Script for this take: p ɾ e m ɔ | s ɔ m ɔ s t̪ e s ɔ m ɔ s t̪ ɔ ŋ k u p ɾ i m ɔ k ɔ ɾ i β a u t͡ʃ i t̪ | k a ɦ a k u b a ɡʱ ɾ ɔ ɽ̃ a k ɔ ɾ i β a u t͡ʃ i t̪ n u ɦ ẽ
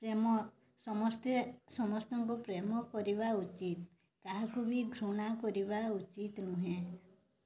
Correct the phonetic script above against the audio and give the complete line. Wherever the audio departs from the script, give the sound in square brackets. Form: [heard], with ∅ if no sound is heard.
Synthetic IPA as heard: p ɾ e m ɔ | s ɔ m ɔ s t̪ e s ɔ m ɔ s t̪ ɔ ŋ k u p ɾ [e] m ɔ k ɔ ɾ i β a u t͡ʃ i t̪ | k a ɦ a k u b [i] ɡʱ ɾ [u] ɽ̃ a k ɔ ɾ i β a u t͡ʃ i t̪ n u ɦ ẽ